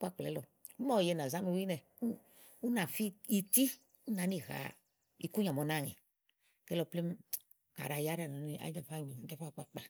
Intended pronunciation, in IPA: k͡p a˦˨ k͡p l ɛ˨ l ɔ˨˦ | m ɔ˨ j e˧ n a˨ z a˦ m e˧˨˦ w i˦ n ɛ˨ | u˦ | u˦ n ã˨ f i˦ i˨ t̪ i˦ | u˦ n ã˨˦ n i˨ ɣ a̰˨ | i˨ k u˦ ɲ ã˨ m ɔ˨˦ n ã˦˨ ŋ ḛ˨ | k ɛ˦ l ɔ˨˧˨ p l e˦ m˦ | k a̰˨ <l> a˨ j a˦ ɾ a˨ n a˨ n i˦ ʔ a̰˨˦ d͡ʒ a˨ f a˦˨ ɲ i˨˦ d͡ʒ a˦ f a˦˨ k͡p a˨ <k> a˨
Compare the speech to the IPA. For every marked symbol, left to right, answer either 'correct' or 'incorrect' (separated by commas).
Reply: incorrect, incorrect